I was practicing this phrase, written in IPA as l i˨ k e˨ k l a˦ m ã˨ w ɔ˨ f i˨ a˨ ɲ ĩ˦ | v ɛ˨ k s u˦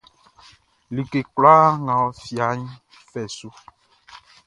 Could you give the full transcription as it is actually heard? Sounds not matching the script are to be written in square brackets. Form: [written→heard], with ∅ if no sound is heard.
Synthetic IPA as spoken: l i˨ k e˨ k l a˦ [m→ŋ] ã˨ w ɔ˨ f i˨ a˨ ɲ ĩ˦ | [v→f] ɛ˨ [k→∅] s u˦